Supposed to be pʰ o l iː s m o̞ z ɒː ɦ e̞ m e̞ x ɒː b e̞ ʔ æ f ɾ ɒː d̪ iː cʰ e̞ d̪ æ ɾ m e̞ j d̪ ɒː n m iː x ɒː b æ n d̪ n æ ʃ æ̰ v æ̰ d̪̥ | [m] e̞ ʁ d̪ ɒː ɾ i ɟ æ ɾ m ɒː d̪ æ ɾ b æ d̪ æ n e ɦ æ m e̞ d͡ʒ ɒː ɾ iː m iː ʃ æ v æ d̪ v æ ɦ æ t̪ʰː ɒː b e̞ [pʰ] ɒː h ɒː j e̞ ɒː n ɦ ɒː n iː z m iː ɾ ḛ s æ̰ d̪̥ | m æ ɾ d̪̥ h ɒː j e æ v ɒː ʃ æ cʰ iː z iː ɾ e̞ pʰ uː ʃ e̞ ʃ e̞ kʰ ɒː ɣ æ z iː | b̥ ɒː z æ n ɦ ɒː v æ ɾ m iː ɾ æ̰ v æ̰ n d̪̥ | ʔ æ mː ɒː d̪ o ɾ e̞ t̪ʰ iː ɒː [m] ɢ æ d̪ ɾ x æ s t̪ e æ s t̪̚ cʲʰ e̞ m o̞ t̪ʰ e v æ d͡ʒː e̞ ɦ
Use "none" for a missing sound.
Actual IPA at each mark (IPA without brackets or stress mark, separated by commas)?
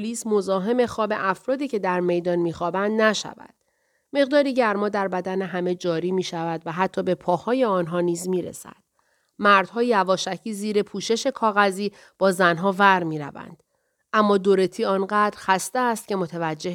m, pʰ, n